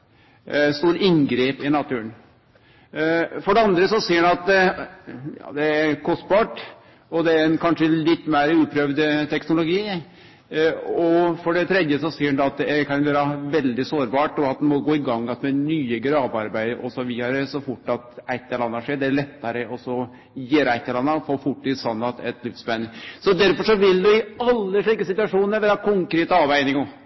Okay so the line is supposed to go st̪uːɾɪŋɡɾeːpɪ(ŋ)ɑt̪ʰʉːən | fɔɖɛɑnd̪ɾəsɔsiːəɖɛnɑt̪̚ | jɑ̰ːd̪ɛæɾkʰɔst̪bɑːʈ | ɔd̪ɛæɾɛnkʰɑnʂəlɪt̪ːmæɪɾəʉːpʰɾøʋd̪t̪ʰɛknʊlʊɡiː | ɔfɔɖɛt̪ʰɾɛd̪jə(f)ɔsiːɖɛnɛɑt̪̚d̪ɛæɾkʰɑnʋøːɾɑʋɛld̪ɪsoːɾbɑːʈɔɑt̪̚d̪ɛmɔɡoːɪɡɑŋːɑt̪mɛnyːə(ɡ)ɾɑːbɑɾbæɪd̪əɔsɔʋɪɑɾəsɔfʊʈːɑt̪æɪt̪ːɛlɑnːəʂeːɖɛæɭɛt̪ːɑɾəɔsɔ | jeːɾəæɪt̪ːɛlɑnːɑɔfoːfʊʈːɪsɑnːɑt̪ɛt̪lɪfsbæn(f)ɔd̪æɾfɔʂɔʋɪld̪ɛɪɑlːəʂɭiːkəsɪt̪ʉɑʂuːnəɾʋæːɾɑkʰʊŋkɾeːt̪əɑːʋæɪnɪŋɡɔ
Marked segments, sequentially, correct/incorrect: incorrect, incorrect, correct, incorrect

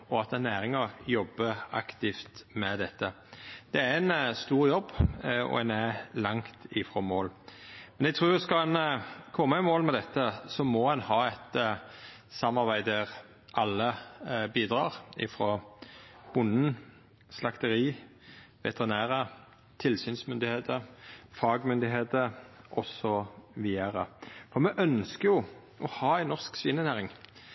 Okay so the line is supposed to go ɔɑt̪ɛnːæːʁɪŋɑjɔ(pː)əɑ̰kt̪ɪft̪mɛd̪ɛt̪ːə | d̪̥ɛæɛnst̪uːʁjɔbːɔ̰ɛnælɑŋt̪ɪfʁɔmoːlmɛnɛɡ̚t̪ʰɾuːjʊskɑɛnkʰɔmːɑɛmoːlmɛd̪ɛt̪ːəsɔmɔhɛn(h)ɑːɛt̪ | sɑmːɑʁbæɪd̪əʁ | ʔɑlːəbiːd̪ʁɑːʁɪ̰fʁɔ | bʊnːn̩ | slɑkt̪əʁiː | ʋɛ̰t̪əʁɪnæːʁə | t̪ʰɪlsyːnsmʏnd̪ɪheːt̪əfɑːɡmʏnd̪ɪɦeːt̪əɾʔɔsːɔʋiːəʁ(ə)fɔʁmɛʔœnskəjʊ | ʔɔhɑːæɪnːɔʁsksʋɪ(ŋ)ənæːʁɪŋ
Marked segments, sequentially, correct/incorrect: incorrect, correct, correct, incorrect

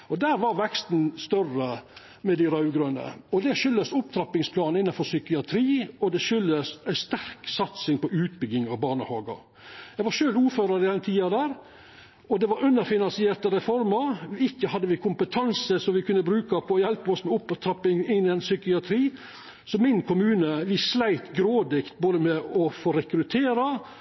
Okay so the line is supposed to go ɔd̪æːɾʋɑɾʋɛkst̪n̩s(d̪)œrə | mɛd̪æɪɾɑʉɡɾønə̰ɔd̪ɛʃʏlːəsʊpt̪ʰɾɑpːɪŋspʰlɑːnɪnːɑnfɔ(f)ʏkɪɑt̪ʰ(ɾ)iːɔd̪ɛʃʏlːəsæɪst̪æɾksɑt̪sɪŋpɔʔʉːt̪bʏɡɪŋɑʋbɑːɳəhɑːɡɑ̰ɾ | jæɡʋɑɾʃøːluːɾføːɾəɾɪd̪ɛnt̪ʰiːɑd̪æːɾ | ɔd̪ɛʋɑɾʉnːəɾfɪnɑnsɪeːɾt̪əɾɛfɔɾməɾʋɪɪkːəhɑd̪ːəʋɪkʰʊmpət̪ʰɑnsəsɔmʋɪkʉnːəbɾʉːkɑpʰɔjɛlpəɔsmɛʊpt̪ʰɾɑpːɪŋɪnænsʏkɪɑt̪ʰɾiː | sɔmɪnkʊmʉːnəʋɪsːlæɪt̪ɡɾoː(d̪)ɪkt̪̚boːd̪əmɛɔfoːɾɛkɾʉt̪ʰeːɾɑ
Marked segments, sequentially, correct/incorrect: incorrect, incorrect, correct, correct

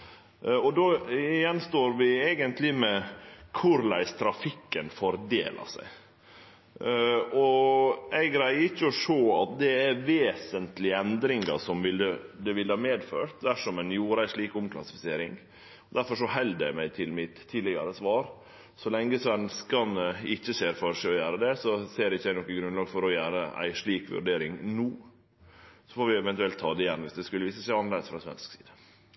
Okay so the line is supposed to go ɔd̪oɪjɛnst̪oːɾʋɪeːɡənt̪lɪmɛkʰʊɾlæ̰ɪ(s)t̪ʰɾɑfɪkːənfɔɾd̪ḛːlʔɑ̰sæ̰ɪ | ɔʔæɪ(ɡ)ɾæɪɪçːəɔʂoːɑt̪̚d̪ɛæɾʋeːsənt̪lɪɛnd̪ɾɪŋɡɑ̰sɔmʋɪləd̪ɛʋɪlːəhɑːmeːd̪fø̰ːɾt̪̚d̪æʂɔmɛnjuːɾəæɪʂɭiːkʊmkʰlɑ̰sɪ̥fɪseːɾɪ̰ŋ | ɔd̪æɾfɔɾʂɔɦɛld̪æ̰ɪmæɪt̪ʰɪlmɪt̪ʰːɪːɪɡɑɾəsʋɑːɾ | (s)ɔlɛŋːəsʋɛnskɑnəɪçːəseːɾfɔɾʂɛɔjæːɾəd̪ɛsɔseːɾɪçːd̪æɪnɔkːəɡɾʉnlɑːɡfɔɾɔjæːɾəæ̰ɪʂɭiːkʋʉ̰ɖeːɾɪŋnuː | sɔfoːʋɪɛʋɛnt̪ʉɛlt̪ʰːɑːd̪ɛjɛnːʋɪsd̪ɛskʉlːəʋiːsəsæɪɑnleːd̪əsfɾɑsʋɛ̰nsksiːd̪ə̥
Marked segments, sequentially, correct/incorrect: correct, correct, correct

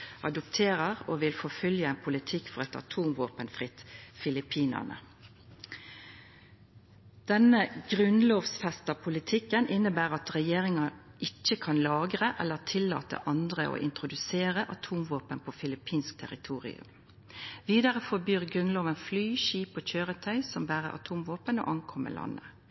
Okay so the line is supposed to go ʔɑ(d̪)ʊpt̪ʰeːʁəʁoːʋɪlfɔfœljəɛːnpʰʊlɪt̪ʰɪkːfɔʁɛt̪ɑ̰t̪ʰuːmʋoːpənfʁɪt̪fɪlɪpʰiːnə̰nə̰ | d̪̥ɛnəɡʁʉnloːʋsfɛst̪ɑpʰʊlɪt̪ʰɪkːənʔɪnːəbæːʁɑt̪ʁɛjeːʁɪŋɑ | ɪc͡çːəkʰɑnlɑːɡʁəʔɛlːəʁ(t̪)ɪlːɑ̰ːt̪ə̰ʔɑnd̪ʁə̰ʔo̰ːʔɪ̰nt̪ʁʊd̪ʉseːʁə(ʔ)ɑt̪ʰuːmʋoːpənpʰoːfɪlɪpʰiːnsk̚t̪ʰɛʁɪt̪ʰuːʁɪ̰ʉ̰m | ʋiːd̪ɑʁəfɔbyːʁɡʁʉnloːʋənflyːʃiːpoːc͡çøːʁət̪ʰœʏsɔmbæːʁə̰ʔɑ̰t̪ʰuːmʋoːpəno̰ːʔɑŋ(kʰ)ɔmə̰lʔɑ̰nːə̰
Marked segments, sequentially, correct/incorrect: correct, incorrect, correct, correct

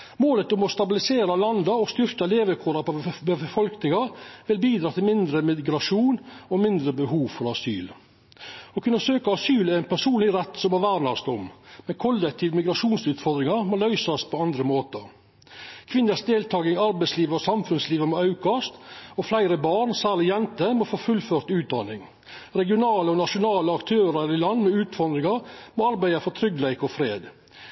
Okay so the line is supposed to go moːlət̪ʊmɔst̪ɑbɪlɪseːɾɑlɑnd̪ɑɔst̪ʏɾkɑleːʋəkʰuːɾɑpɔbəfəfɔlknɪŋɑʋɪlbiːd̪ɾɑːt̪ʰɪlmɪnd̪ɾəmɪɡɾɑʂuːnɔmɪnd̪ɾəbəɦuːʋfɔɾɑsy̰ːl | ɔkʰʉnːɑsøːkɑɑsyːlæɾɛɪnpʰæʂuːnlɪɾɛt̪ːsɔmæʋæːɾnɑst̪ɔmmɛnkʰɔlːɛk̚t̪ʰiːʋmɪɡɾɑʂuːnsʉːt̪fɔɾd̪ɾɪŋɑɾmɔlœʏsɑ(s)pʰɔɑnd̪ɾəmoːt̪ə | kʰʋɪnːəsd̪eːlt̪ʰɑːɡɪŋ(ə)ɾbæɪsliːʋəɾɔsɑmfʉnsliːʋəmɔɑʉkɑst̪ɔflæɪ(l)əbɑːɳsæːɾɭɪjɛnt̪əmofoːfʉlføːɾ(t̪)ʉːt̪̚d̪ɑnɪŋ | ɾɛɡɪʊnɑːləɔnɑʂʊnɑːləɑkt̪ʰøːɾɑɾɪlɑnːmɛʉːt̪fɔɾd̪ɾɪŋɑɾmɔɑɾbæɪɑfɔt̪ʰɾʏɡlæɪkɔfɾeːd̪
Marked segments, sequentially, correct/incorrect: correct, incorrect, incorrect, correct

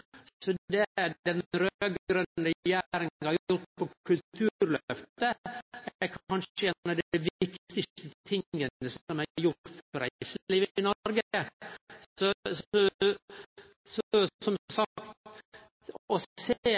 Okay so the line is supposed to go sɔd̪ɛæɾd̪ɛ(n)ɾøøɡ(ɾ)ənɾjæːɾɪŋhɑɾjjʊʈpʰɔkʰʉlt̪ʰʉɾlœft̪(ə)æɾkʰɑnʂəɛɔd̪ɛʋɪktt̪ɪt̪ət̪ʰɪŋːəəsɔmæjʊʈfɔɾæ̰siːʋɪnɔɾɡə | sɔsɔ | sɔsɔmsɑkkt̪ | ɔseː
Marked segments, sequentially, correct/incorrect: correct, correct, correct

